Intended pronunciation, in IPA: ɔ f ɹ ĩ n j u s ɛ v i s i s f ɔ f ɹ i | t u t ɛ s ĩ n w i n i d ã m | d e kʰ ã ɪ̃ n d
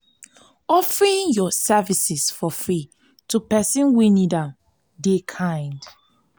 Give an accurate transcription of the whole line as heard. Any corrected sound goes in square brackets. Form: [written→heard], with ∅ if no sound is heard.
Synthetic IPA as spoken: ɔ f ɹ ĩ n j [u→ɔ] s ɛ v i s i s f ɔ f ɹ i | t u [t→p] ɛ s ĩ n w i n i d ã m | d e kʰ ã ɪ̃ n d

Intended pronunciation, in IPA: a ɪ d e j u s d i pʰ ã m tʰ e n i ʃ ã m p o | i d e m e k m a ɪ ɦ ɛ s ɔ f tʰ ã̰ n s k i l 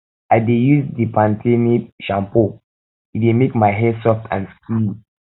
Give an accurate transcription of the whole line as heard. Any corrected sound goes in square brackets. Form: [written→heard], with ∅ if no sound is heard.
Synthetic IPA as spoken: a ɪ d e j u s d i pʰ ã [m→n] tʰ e n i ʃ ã m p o | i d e m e k m a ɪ ɦ ɛ s ɔ f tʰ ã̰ n s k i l

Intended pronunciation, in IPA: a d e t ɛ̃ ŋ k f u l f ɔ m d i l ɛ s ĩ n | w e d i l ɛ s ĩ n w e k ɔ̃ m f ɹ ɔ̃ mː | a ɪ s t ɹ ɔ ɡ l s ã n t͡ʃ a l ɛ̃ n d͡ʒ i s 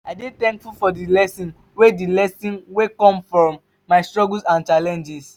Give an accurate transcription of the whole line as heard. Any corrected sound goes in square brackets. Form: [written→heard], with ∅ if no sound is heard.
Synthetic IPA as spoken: a d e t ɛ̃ ŋ k f u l f ɔ [m→∅] d i l ɛ s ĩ n | w e d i l ɛ s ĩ n w e k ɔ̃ m f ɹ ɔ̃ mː | a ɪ s t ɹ ɔ ɡ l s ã n t͡ʃ a l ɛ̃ n d͡ʒ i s

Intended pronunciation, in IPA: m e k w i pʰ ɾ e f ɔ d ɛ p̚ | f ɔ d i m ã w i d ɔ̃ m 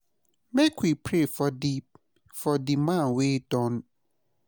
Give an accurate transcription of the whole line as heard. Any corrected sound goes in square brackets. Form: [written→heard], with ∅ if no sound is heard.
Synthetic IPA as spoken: m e k w i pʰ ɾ e f ɔ d [ɛ→i] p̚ | f ɔ d i m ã w [i→e] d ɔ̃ [m→n]

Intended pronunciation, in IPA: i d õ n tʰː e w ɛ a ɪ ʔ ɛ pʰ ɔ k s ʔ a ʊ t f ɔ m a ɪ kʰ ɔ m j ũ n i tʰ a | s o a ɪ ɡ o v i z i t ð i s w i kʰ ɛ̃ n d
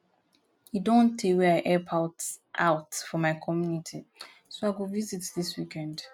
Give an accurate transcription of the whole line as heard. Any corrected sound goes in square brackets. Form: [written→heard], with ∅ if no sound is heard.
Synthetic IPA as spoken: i d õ n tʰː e w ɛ a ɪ ʔ ɛ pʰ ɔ [k→t] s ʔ a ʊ t f ɔ m a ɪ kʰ ɔ m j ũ n i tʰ [a→i] | s o a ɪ ɡ o v i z i t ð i s w i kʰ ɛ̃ n d

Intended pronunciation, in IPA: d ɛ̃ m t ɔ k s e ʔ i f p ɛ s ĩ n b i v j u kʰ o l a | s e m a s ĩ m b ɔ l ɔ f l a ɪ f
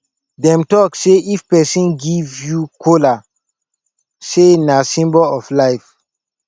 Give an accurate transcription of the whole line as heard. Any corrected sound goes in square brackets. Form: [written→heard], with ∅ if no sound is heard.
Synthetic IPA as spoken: d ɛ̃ m t ɔ k s e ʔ i f p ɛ s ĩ n [b→ɡ] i v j u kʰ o l a | s e [m→n] a s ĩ m b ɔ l ɔ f l a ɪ f

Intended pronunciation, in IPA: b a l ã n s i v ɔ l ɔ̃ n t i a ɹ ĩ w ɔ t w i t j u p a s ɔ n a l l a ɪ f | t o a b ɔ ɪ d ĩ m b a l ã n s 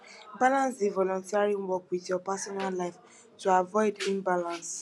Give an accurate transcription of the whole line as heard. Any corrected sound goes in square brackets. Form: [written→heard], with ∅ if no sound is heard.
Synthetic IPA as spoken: b a l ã n s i v ɔ l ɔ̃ n t i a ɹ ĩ w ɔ [t→k] w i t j [u→ɔ] p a s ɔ n a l l a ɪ f | t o a [b→v] ɔ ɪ d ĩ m b a l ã n s

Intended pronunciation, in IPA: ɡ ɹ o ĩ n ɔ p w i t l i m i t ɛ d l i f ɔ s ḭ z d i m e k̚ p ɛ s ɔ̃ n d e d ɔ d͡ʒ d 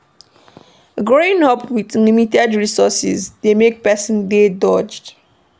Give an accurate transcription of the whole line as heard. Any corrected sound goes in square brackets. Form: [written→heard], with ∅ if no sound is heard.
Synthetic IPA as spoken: ɡ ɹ o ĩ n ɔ p w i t l i m i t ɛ d [l→ɹ] i [f→s] ɔ s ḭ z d [i→e] m e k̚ p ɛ s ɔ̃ n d e d ɔ d͡ʒ d

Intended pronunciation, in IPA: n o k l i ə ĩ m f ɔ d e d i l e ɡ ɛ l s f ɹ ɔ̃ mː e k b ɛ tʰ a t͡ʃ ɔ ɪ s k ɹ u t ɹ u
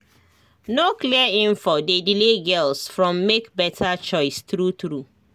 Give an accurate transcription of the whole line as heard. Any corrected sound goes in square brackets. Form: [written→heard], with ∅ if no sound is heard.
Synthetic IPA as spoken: n o k l i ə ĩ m f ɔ d e d i l e ɡ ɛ l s f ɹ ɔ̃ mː e k b ɛ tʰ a t͡ʃ ɔ ɪ s [k→t] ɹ u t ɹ u

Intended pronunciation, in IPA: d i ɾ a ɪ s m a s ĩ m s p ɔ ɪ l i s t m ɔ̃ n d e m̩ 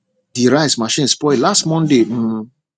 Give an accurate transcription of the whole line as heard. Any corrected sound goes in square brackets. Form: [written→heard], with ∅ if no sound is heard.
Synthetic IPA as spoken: d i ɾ a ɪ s m a [s→ʃ] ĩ [m→n] s p ɔ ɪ l [i→a] s t m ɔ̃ n d e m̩

